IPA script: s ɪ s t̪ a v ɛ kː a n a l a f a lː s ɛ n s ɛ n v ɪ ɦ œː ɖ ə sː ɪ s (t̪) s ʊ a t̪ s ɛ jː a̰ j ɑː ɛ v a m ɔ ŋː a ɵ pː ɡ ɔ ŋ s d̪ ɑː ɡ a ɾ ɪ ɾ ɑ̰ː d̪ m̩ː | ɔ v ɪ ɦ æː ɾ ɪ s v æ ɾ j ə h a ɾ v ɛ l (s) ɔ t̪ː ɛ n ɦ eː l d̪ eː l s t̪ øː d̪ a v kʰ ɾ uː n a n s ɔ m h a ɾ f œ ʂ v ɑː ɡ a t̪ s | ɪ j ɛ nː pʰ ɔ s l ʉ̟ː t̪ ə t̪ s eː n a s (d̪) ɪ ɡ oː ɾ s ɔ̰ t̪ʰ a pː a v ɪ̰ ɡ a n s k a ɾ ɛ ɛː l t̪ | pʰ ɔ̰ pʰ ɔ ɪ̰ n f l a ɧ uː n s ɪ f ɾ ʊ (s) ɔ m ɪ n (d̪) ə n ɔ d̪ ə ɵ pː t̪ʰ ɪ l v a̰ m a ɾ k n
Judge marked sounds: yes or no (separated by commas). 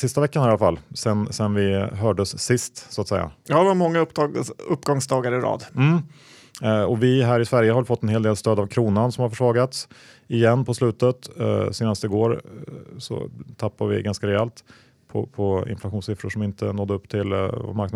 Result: yes, no, no, no, no